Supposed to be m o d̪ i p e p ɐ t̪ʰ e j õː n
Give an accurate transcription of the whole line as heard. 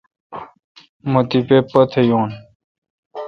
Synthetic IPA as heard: m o t̪ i p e p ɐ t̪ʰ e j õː n